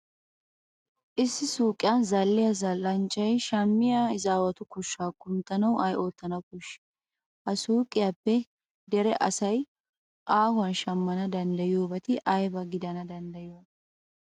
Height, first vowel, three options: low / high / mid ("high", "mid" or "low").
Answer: high